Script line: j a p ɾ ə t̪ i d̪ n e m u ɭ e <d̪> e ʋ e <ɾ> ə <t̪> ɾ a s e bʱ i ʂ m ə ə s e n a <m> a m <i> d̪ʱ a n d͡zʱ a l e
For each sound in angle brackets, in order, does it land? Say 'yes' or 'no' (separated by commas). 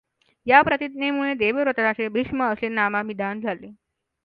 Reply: yes, yes, yes, yes, yes